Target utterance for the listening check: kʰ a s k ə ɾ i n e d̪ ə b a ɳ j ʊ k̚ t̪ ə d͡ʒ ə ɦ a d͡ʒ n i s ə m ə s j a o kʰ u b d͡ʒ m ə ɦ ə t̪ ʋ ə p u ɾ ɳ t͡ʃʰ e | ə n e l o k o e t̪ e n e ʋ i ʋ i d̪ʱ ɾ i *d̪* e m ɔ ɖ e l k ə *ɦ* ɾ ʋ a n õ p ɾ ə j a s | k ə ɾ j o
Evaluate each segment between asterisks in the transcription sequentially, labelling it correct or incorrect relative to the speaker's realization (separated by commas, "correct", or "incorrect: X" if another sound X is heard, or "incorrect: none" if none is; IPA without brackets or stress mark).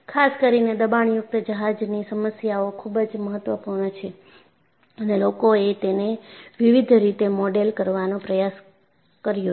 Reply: incorrect: t̪, incorrect: none